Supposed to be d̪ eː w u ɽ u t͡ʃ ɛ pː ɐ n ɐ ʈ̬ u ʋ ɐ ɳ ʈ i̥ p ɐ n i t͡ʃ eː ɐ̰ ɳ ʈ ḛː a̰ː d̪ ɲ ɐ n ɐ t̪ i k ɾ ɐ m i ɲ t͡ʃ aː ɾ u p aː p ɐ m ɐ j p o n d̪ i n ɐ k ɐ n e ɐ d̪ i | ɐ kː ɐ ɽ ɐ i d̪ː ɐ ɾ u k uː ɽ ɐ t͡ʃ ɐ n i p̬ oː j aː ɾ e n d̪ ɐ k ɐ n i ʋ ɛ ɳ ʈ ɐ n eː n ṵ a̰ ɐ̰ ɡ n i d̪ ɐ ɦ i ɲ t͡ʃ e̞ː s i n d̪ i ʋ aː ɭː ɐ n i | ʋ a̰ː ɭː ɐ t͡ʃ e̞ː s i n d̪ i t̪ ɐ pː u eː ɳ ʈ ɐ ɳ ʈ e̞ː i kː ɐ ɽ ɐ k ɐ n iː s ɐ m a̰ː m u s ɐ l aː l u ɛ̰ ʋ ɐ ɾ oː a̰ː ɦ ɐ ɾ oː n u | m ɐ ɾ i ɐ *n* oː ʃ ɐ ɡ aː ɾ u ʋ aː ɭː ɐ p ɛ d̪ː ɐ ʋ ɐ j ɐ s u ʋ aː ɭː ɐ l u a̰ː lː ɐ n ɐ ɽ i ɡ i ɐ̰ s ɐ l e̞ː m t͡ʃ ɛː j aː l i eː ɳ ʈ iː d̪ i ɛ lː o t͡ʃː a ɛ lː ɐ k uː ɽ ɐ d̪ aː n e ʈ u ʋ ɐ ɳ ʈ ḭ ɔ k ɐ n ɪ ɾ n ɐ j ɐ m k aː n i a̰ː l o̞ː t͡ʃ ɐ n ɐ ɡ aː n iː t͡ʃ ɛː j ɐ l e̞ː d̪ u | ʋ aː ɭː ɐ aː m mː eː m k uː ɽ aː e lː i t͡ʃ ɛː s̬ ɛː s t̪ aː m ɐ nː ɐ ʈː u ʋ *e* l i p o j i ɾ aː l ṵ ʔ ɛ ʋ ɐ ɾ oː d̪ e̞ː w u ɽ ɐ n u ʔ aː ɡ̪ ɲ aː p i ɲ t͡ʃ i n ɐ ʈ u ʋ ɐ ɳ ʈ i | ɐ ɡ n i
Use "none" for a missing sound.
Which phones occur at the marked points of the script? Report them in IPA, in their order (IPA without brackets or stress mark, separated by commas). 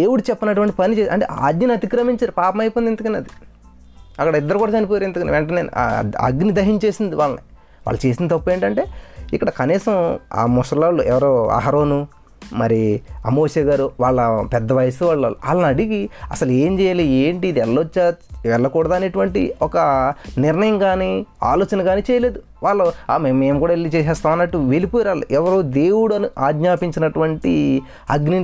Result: m, e